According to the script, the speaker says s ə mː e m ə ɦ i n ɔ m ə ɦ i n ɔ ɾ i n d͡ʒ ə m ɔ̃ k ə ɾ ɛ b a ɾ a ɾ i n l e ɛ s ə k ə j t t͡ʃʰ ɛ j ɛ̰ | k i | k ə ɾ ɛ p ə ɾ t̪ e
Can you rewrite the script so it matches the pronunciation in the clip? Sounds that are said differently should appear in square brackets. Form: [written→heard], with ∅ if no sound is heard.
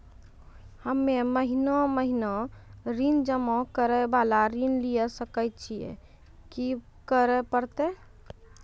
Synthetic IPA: [s→h] ə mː e m ə ɦ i n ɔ m ə ɦ i n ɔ ɾ i n d͡ʒ ə m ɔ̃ k ə ɾ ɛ b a [ɾ→l] a ɾ i n l [e→i] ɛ s ə k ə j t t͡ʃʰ [ɛ→i] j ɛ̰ | k i | k ə ɾ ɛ p ə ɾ t̪ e